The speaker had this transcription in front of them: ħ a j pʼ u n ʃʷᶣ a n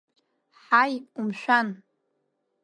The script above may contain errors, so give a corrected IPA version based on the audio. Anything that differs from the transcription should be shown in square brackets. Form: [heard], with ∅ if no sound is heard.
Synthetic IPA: ħ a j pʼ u [m] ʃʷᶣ a n